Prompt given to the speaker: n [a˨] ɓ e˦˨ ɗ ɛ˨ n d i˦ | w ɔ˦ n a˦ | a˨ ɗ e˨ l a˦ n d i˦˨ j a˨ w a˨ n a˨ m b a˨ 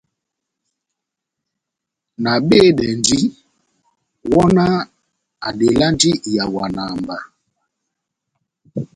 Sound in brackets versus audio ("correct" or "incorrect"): correct